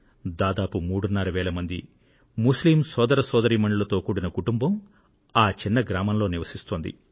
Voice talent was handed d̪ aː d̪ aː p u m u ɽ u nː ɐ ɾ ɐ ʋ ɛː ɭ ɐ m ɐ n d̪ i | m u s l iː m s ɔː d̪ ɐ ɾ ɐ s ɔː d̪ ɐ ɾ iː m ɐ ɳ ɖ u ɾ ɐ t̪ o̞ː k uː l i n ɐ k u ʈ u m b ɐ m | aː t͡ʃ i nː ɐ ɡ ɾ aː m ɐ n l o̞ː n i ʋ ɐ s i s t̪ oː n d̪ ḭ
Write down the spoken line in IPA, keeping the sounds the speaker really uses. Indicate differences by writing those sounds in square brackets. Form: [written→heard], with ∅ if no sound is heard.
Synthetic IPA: d̪ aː d̪ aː p u m [u→uː] ɽ u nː ɐ ɾ ɐ ʋ ɛː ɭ ɐ m ɐ n d̪ i | m u s l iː m s ɔː d̪ ɐ ɾ ɐ s ɔː d̪ ɐ ɾ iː m ɐ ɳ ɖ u [ɾ→l] ɐ t̪ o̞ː k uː [l→ɽ] i n ɐ k u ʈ u m b ɐ m | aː t͡ʃ i nː ɐ ɡ ɾ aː m ɐ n l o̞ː n i ʋ ɐ s i s t̪ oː n d̪ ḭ